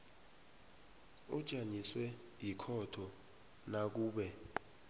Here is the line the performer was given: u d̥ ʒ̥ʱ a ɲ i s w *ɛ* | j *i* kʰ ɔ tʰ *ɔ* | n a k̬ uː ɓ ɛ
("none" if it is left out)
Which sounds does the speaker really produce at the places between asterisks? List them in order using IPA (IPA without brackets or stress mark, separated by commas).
ɛ, i, ɔ